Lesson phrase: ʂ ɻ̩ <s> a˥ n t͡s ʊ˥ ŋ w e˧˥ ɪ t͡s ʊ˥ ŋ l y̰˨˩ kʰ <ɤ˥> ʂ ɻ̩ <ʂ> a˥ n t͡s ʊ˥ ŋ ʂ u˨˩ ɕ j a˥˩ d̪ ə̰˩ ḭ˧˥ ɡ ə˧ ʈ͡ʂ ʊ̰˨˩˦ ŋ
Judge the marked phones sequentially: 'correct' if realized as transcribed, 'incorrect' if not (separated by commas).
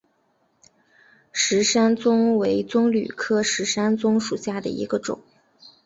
incorrect, correct, correct